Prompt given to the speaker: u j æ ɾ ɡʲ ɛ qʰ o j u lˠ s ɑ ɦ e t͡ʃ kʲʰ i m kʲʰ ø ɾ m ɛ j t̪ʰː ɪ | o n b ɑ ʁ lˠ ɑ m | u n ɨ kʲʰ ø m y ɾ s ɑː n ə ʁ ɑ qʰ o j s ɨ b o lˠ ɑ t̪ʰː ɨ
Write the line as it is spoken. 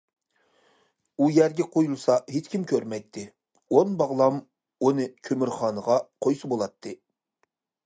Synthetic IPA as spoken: u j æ ɾ ɡʲ ɛ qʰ o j u lˠ s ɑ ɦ e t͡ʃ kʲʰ i m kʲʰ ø ɾ m ɛ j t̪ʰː ɪ | o n b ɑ ʁ lˠ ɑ m | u n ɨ kʲʰ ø m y ɾ χ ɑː n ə ʁ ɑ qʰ o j s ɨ b o lˠ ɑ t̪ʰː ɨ

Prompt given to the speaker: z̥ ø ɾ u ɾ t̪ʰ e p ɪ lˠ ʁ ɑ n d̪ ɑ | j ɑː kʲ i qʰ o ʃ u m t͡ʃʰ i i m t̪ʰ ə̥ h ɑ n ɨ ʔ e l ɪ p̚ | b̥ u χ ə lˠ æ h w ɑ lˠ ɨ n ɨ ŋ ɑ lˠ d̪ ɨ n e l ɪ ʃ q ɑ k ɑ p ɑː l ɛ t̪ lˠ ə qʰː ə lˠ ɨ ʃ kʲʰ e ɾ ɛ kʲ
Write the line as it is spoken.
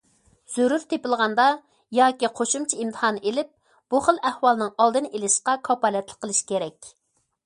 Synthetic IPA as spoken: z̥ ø ɾ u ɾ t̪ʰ e p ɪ lˠ ʁ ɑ n d̪ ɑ | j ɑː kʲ i qʰ o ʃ u m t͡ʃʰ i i m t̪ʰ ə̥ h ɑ n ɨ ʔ e l ɪ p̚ | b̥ u χ ə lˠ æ h w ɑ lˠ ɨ n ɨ ŋ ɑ lˠ d̪ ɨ n e l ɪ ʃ q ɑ kʰ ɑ p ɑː l ɛ t̪ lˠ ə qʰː ə lˠ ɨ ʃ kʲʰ e ɾ ɛ kʲ

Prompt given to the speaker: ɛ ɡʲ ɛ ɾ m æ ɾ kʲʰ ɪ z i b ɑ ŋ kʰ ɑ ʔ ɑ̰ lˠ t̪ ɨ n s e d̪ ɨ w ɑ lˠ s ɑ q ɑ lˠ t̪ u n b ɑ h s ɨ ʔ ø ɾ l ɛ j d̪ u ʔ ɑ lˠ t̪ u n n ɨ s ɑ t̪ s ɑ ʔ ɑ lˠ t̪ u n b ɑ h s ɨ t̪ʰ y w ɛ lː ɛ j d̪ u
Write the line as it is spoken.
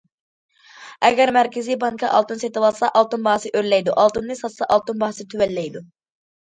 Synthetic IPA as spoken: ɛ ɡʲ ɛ ɾ m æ ɾ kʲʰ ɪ z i b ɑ ŋ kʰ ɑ ʔ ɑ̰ lˠ t̪ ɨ n s e t̪ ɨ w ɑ lˠ s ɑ ʔ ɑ lˠ t̪ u n b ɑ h s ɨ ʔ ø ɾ l ɛ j d̪ u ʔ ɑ lˠ t̪ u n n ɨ s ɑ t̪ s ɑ ʔ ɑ lˠ t̪ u n b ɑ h s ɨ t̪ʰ y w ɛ lː ɛ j d̪ u

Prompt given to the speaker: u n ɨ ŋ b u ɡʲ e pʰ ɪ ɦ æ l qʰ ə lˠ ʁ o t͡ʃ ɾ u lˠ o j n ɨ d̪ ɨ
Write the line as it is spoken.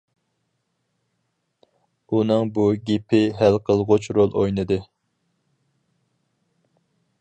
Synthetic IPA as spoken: u n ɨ ŋ b u ɡʲ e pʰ ɪ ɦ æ l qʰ ə lˠ ʁ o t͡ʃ ɾ o lˠ o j n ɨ d̪ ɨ

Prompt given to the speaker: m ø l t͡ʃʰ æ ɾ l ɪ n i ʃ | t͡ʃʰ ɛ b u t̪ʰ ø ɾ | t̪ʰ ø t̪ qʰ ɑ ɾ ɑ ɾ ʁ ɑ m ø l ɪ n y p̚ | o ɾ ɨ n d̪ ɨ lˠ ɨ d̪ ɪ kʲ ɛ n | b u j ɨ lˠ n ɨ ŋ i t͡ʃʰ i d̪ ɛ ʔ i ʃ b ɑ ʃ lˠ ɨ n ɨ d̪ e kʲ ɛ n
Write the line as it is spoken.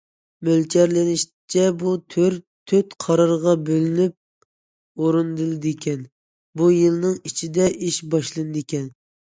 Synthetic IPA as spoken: m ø l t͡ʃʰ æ ɾ l ɪ n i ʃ | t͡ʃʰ ɛ b u t̪ʰ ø ɾ | t̪ʰ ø t̪ qʰ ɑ ɾ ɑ ɾ ʁ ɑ b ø l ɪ n y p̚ | o ɾ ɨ n d̪ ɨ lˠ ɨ d̪ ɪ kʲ ɛ n | b u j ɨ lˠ n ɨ ŋ i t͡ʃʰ i d̪ ɛ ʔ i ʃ b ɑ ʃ lˠ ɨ n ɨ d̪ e kʲ ɛ n

